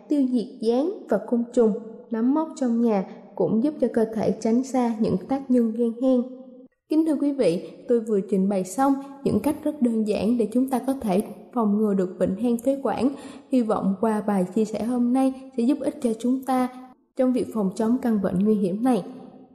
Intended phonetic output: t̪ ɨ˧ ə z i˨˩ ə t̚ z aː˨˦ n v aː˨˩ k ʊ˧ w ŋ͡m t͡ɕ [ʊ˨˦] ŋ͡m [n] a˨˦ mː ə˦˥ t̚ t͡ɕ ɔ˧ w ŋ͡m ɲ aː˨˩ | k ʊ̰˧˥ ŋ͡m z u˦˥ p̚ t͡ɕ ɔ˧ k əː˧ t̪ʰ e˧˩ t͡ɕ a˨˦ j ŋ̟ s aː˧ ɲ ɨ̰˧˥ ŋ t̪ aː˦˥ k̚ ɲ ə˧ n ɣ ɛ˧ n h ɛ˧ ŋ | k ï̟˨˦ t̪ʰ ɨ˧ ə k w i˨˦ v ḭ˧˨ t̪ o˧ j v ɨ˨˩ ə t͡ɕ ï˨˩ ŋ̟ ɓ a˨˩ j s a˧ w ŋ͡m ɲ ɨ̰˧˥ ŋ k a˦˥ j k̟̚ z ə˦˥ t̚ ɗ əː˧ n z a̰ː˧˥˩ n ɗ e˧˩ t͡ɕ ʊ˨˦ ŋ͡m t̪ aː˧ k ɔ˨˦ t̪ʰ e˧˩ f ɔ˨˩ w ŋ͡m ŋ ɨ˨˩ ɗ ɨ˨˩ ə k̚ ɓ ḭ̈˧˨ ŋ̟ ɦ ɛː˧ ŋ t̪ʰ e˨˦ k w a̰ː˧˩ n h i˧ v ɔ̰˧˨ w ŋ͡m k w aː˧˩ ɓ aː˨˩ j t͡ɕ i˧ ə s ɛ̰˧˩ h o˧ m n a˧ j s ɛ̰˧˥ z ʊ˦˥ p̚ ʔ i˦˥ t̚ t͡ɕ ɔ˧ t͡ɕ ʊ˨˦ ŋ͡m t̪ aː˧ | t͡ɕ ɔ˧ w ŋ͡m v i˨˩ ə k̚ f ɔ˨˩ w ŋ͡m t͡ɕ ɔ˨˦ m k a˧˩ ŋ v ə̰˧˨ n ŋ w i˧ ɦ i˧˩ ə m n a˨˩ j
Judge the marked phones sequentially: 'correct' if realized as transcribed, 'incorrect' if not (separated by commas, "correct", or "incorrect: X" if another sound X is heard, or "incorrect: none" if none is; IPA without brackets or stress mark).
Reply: incorrect: ʊ˨˩, correct